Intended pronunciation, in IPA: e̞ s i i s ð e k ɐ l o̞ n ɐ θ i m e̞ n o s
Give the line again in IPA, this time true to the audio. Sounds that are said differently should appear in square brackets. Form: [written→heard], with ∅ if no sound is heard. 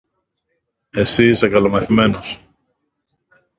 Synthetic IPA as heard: e̞ s i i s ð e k ɐ l o̞ [n→m] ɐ θ i m e̞ n o s

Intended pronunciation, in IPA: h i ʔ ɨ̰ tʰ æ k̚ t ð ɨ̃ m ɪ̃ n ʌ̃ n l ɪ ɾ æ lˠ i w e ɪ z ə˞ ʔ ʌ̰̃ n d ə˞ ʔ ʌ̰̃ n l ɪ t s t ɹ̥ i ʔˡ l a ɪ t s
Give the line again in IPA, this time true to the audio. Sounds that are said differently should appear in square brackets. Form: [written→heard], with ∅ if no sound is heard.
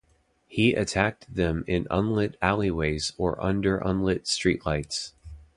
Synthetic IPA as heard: h i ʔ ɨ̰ tʰ æ k̚ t ð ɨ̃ m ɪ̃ n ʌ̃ n l ɪ ɾ æ lˠ i w e ɪ z ə˞ ʔ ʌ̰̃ n d ə˞ ʔ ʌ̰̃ n l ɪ t s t ɹ̥ i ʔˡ l a ɪ t s

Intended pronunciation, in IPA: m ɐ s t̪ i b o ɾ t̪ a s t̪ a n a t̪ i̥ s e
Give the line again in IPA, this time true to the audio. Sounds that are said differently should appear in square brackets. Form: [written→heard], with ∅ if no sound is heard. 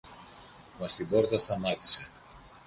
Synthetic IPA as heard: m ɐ s t̪ i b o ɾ t̪ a s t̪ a [n→m] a t̪ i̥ s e

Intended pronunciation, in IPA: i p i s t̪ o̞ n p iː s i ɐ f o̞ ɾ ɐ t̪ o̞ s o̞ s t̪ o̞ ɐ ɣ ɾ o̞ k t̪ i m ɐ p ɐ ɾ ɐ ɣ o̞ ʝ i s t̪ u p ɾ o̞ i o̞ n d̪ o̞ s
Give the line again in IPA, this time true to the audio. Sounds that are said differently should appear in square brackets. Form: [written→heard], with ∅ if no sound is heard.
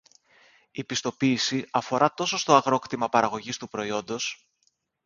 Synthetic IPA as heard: i p i s t̪ o̞ [n→∅] p iː s i ɐ f o̞ ɾ ɐ t̪ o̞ s o̞ s t̪ o̞ ɐ ɣ ɾ o̞ k t̪ i m ɐ p ɐ ɾ ɐ ɣ o̞ ʝ i s t̪ u p ɾ o̞ i o̞ n d̪ o̞ s

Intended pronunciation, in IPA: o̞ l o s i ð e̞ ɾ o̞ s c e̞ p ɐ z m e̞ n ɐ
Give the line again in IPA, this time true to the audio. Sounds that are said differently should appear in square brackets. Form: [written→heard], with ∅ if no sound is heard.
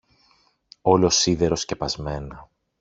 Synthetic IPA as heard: o̞ l o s i ð e̞ ɾ o̞ s c e̞ p ɐ z m e̞ n ɐ

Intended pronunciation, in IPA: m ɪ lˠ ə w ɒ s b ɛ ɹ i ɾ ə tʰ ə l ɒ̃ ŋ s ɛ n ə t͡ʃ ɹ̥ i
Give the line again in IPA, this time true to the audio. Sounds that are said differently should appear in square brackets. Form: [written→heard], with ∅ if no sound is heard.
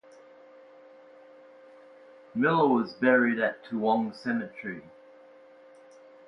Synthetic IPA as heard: m ɪ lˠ ə w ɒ [s→z] b ɛ ɹ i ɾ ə tʰ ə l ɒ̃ ŋ s ɛ [n→m] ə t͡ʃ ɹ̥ i

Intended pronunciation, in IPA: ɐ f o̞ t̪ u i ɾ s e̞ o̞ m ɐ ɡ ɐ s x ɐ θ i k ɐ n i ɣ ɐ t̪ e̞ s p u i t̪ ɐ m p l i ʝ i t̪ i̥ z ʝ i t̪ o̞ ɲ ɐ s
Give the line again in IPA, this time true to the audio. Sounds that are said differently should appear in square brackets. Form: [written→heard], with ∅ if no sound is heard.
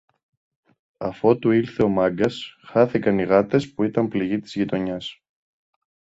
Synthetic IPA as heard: ɐ f o̞ t̪ u i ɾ [s→θ] e̞ o̞ m ɐ ɡ ɐ s x ɐ θ i k ɐ n i ɣ ɐ t̪ e̞ s p u i t̪ ɐ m p l i ʝ i t̪ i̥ z ʝ i t̪ o̞ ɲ ɐ s

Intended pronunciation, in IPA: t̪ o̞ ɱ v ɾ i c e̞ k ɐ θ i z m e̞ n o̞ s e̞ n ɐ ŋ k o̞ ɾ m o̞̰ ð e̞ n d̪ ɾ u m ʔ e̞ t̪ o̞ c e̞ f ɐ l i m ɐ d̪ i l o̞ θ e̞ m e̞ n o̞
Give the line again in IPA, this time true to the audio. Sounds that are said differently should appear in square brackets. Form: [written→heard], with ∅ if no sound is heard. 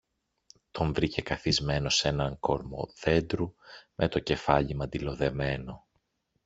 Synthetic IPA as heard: t̪ o̞ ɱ v ɾ i c e̞ k ɐ θ i z m e̞ n o̞ s e̞ n ɐ ŋ k o̞ ɾ m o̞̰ ð e̞ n d̪ ɾ u m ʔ e̞ t̪ o̞ c e̞ f ɐ [l→ʎ] i m ɐ d̪ i l o̞ [θ→ð] e̞ m e̞ n o̞

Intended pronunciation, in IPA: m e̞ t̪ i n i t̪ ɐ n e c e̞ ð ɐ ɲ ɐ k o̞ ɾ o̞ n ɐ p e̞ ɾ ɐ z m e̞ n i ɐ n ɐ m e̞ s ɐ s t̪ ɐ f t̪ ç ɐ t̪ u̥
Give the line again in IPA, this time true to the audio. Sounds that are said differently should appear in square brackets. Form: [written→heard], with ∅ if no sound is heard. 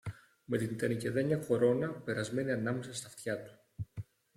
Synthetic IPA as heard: m e̞ t̪ i n i t̪ ɐ n [e→i] c e̞ ð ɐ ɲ ɐ k o̞ ɾ o̞ n ɐ p e̞ ɾ ɐ z m e̞ n i ɐ n ɐ m e̞ s ɐ s t̪ ɐ f t̪ ç ɐ t̪ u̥

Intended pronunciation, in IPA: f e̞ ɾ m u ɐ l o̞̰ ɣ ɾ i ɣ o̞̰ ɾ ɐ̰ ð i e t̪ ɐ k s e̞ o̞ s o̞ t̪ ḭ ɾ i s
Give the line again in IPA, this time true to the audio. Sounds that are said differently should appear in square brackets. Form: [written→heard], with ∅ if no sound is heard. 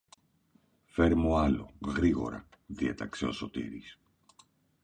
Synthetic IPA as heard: f e̞ ɾ m u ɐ l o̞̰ ɣ ɾ i ɣ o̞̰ ɾ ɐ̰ ð i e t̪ ɐ k s e̞ o̞ s o̞ t̪ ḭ ɾ i s

